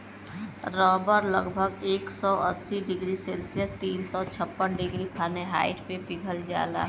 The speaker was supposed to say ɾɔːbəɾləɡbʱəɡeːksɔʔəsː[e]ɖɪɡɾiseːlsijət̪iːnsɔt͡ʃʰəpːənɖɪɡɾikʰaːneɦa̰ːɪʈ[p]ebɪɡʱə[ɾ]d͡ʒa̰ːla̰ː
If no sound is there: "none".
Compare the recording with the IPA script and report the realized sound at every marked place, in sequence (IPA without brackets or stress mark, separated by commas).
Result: i, p, l